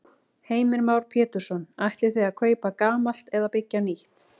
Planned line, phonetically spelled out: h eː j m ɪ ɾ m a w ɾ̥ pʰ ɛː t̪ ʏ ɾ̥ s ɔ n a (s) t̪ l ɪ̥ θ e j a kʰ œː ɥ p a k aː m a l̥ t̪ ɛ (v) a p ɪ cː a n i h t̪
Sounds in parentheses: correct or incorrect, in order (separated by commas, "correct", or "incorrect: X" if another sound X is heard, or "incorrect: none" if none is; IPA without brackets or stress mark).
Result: incorrect: h, incorrect: ð